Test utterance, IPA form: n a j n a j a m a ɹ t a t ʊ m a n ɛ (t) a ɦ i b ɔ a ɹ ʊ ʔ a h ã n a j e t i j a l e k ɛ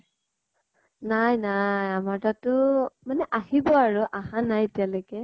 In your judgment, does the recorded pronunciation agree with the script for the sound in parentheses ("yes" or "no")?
no